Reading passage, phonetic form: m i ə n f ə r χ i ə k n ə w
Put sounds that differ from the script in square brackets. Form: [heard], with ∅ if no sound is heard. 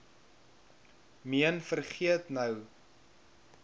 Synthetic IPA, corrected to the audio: m i ə n f ə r χ i ə [t] n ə w